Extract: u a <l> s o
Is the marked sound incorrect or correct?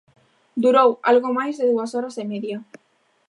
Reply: incorrect: none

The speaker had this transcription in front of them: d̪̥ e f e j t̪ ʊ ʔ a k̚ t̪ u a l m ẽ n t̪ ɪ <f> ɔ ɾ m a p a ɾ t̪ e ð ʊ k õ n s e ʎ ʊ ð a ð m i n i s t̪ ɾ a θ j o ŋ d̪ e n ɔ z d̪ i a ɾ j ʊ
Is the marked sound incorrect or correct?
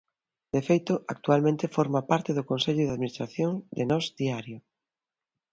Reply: correct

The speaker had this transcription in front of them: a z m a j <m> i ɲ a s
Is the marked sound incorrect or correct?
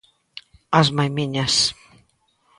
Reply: correct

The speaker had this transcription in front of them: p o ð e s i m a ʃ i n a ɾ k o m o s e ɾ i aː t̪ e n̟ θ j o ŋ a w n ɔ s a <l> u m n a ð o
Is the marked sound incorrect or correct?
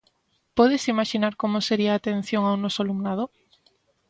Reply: correct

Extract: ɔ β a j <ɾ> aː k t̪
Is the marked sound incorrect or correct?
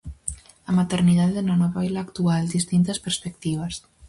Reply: incorrect: l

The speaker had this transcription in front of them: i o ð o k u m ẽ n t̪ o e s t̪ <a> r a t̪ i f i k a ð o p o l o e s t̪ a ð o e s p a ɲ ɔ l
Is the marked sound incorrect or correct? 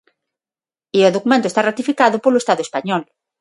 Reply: correct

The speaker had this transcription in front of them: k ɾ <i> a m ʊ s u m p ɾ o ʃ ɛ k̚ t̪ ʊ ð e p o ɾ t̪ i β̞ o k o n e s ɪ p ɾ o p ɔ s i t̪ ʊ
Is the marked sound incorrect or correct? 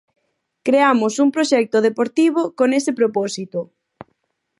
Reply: incorrect: e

